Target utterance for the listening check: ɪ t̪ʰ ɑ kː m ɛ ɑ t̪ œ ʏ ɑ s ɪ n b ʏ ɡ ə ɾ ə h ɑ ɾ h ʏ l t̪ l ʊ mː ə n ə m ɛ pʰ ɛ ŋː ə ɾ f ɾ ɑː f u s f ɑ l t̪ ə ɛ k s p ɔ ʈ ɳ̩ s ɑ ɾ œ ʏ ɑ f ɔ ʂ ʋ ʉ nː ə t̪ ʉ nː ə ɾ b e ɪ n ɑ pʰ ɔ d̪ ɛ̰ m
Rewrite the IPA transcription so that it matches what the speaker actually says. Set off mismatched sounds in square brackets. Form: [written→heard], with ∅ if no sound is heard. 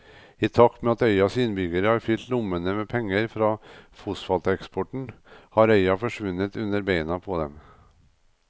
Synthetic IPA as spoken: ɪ t̪ʰ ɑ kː m ɛ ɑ t̪ œ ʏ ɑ s ɪ n b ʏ ɡ ə ɾ ə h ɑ ɾ [h→f] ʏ l t̪ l ʊ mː ə n ə m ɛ pʰ ɛ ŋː ə ɾ f ɾ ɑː f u s f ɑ l t̪ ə ɛ k s p ɔ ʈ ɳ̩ [s→h] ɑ ɾ œ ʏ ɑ f ɔ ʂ ʋ ʉ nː ə t̪ ʉ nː ə ɾ b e ɪ n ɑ pʰ ɔ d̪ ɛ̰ m